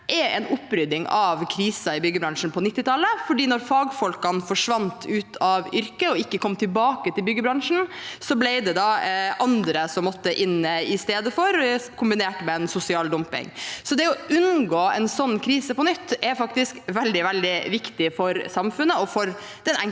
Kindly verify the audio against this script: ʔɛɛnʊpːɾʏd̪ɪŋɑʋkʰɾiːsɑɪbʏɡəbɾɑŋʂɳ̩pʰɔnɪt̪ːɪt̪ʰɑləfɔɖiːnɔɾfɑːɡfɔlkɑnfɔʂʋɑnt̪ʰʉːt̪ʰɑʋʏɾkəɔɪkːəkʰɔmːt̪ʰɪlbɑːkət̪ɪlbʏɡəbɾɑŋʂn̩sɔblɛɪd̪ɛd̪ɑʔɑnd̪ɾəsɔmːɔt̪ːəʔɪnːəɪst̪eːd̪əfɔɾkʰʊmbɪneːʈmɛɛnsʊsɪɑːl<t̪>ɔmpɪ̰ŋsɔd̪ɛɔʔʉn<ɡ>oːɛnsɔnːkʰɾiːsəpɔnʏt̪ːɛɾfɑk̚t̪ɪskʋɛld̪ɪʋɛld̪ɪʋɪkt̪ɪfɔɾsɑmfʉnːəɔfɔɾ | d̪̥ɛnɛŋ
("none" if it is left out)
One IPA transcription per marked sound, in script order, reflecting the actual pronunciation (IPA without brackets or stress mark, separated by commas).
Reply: d̪, ɡ